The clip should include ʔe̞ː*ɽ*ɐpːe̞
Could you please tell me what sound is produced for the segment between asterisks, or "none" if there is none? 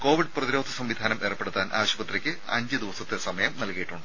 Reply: r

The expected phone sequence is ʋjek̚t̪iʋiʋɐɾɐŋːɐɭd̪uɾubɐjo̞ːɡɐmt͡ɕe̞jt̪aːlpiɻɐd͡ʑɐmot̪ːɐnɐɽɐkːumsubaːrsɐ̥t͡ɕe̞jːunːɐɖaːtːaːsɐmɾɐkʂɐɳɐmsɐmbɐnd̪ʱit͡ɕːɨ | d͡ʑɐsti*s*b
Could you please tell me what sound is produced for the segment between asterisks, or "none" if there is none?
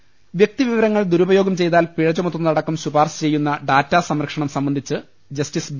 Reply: s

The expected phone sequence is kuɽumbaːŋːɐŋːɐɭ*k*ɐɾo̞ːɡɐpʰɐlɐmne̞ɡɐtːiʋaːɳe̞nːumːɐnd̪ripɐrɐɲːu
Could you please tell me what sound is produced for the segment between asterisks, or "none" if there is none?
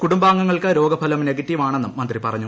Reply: k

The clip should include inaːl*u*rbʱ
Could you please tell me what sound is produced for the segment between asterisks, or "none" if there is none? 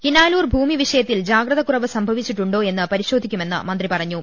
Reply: uː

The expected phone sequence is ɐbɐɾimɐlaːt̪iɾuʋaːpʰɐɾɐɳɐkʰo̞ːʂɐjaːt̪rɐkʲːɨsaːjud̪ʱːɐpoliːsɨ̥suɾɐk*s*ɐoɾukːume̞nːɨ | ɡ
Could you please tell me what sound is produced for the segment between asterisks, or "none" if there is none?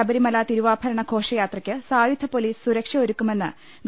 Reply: ʂ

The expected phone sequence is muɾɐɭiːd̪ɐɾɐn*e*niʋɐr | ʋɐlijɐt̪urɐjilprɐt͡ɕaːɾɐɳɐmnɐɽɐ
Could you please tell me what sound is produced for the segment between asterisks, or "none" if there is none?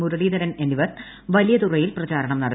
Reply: e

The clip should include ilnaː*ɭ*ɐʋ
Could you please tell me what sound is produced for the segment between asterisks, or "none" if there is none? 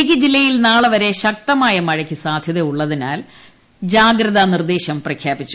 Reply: ɭ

